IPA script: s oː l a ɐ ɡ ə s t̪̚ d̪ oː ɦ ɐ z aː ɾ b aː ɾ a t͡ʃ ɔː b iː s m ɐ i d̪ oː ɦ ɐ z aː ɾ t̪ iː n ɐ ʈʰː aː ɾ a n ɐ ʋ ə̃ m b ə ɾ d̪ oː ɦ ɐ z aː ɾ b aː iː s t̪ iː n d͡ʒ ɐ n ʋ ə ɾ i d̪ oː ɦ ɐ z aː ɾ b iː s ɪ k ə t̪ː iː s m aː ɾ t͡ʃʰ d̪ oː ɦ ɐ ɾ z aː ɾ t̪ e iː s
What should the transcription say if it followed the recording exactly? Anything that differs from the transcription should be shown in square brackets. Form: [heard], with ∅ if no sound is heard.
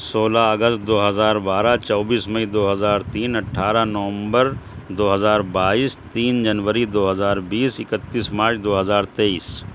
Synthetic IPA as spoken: s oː l a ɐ ɡ ə s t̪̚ d̪ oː ɦ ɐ z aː ɾ b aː ɾ a t͡ʃ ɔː b iː s m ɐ i d̪ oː ɦ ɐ z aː ɾ t̪ iː n ɐ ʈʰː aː ɾ a n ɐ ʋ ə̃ m b ə ɾ d̪ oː ɦ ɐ z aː ɾ b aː iː s t̪ iː n d͡ʒ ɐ n ʋ ə ɾ i d̪ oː ɦ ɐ z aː ɾ b iː s ɪ k ə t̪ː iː s m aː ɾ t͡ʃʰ d̪ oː ɦ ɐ [∅] z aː ɾ t̪ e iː s

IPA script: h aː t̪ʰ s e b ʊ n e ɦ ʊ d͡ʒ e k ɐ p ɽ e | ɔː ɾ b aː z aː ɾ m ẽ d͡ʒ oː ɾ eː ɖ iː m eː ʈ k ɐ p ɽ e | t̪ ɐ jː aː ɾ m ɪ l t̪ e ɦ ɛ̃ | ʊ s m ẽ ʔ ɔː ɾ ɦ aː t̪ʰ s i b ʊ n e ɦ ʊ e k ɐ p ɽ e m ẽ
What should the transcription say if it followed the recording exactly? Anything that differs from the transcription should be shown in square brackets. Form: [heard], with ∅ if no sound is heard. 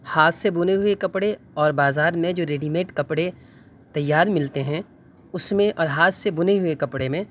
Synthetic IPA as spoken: h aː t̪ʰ s e b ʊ n e ɦ ʊ [∅] e k ɐ p ɽ e | ɔː ɾ b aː z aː ɾ m ẽ d͡ʒ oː ɾ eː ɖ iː m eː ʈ k ɐ p ɽ e | t̪ ɐ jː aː ɾ m ɪ l t̪ e ɦ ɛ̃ | ʊ s m ẽ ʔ ɔː ɾ ɦ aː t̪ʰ s [e] b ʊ n e ɦ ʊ e k ɐ p ɽ e m ẽ

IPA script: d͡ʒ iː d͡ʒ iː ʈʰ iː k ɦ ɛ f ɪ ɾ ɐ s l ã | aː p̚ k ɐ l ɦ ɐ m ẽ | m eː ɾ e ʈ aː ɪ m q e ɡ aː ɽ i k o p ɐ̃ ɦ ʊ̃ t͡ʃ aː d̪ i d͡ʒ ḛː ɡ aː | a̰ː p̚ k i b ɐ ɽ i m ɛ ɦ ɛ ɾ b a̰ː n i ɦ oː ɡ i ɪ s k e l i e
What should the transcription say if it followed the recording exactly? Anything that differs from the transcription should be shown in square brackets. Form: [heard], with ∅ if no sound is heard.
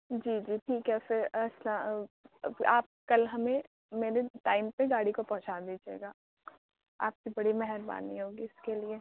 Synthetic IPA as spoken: d͡ʒ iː d͡ʒ iː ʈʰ iː k ɦ ɛ f ɪ ɾ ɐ s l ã | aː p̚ k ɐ l ɦ ɐ m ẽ | m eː ɾ e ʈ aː ɪ m [p] e ɡ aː ɽ i k o p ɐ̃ ɦ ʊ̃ t͡ʃ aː d̪ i d͡ʒ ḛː ɡ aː | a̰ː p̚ k i b ɐ ɽ i m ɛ ɦ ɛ ɾ b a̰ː n i ɦ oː ɡ i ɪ s k e l i e

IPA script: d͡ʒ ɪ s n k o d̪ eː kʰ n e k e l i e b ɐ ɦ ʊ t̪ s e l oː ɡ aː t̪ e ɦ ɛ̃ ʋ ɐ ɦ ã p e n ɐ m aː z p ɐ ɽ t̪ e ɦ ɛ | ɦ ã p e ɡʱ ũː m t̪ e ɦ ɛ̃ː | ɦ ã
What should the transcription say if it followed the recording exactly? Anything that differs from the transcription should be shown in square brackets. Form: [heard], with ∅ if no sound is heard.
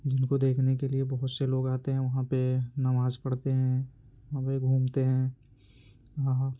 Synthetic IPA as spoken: d͡ʒ ɪ [∅] n k o d̪ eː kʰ n e k e l i e b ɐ ɦ ʊ t̪ s e l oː ɡ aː t̪ e ɦ ɛ̃ ʋ ɐ ɦ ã p e n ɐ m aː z [k] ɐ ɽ t̪ e ɦ [ɛ̃] | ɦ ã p e ɡʱ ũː m t̪ e ɦ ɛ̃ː | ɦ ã

